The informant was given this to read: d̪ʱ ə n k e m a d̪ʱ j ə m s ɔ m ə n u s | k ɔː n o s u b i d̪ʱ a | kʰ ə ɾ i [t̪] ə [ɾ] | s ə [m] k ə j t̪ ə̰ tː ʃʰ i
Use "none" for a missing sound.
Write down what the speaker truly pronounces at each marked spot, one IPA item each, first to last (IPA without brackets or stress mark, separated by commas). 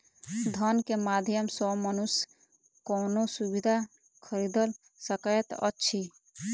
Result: d̪, l, none